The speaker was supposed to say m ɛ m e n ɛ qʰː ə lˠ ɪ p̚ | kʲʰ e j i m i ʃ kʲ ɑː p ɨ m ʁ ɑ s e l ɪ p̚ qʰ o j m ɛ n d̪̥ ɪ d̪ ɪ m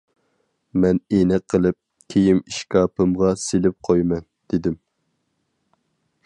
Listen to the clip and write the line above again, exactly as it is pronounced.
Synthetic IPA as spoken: m ɛ n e n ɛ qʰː ə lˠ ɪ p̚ | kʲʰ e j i m i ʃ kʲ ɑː p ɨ m ʁ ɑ s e l ɪ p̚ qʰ o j m ɛ n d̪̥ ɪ d̪ ɪ m